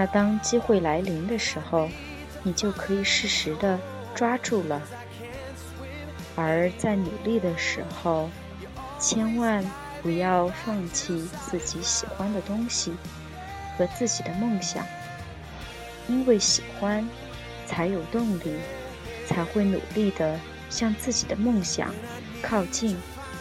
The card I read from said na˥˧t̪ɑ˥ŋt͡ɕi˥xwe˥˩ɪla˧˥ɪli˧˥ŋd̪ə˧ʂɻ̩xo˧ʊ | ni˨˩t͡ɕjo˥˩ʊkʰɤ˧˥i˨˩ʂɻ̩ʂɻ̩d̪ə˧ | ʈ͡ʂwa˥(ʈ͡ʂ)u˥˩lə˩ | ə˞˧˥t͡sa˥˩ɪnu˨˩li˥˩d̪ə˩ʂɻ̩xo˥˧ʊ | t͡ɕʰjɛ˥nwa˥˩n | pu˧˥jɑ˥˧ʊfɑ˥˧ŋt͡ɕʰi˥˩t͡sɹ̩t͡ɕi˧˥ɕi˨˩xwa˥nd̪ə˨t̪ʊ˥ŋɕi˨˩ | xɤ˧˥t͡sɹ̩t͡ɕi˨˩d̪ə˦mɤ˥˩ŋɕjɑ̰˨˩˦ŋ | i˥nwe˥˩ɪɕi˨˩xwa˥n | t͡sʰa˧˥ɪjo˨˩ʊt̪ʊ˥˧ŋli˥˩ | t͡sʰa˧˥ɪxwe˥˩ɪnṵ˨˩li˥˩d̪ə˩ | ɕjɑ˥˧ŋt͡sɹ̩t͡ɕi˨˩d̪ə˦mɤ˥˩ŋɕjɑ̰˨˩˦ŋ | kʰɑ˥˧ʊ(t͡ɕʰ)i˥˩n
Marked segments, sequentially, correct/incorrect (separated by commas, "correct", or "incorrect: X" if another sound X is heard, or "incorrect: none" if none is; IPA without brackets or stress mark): correct, incorrect: t͡ɕ